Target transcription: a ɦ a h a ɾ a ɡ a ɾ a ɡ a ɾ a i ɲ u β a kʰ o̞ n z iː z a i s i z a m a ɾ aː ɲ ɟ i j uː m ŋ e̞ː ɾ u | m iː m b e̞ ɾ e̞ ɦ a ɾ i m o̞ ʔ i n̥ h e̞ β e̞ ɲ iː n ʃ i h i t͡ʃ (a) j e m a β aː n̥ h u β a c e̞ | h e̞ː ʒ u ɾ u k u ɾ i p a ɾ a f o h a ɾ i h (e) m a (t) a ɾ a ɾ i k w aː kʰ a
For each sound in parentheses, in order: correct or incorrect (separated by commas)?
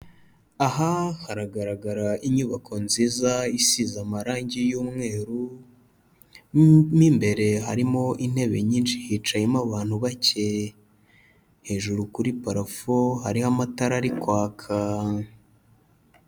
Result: correct, incorrect, correct